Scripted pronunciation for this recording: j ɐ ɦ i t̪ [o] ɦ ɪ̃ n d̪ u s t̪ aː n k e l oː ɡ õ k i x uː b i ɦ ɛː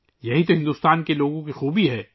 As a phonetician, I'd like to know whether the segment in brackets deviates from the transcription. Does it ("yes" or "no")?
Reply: no